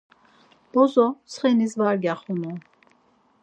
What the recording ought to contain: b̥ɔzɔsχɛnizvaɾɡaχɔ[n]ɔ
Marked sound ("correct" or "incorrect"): correct